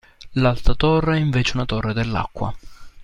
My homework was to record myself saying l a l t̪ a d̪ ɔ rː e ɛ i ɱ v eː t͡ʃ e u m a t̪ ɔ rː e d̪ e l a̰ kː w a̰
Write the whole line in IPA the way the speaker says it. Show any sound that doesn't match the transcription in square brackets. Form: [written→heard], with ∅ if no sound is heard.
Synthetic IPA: l a l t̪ a [d̪→t̪] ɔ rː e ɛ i ɱ v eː t͡ʃ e u [m→n] a t̪ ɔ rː e d̪ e [l→lː] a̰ kː w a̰